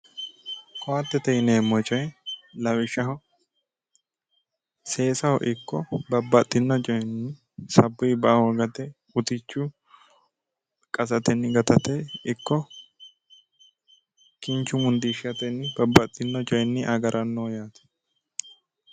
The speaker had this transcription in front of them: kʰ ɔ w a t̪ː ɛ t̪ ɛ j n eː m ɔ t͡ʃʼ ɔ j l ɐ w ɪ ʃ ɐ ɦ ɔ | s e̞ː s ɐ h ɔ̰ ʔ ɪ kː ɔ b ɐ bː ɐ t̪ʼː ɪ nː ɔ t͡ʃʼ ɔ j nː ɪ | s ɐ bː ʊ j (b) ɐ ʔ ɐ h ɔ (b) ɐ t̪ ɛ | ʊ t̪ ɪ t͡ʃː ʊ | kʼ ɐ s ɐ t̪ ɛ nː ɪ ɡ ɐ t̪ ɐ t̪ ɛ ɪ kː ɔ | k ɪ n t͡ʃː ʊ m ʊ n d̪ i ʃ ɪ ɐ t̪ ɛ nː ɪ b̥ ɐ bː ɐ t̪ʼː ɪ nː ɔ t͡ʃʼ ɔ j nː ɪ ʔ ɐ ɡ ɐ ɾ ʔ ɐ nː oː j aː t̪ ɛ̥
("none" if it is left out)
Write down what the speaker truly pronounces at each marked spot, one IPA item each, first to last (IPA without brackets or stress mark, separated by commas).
b, ɡ